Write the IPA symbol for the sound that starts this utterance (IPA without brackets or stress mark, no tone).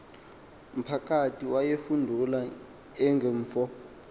m̩